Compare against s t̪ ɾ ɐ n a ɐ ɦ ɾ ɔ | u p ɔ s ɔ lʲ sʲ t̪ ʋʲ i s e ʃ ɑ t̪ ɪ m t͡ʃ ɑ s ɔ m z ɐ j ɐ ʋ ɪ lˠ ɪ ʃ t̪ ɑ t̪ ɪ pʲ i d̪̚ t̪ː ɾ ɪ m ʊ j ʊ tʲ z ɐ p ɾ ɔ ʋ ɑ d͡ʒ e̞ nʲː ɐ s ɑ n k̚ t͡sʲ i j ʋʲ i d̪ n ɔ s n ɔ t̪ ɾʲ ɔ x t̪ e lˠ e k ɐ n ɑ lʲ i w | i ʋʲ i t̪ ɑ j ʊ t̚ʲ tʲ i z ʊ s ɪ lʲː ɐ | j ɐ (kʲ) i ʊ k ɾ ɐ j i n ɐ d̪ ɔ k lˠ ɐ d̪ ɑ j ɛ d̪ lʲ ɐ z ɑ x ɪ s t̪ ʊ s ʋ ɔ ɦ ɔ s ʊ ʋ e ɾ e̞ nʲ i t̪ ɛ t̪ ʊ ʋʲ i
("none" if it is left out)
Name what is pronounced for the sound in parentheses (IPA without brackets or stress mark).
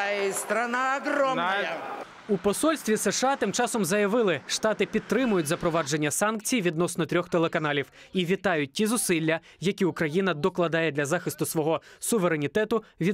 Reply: kʲ